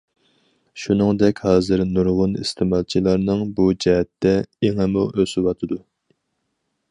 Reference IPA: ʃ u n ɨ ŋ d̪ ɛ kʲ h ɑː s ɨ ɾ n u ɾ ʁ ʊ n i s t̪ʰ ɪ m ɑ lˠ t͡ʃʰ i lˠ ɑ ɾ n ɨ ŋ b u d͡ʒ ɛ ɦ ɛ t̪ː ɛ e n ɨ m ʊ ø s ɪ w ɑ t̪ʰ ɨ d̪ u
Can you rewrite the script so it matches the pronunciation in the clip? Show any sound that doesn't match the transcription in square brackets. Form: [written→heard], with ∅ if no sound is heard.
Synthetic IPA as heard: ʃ u n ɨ ŋ d̪ ɛ kʲ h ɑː [s→z] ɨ ɾ n u ɾ ʁ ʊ n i s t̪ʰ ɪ m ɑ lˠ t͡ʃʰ i lˠ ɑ ɾ n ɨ ŋ b u d͡ʒ ɛ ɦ ɛ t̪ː ɛ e [n→ŋ] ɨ m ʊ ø s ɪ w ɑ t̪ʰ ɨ d̪ u